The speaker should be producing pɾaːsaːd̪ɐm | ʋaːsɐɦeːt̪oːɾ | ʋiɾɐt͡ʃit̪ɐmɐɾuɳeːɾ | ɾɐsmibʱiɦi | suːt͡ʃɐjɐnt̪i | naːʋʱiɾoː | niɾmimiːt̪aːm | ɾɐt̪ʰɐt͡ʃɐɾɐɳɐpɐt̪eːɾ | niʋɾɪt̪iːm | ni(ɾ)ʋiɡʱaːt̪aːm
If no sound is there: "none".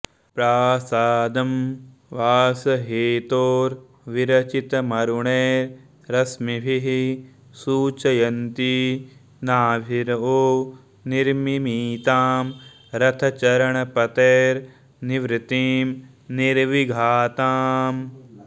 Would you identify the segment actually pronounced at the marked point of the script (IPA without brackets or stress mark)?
ɾ